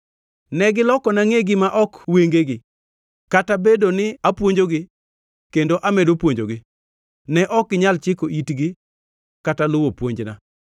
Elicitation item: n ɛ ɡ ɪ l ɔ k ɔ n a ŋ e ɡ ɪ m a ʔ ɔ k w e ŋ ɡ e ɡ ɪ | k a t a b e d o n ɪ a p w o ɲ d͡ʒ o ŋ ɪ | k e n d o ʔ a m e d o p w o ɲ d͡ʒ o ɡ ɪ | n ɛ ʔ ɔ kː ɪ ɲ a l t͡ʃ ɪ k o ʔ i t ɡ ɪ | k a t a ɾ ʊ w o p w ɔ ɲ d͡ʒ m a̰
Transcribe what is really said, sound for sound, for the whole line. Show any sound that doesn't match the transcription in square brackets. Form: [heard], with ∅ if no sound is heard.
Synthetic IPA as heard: n ɛ ɡ ɪ l ɔ k ɔ n a ŋ e ɡ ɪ m a ʔ ɔ k w e ŋ ɡ e ɡ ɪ | k a t a b e d o n ɪ a p w o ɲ d͡ʒ o [ɡ] ɪ | k e n d o ʔ a m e d o p w o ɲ d͡ʒ o ɡ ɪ | n ɛ ʔ ɔ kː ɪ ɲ a l t͡ʃ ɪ k o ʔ i t ɡ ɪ | k a t a [l] ʊ w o p w [o] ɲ d͡ʒ [n] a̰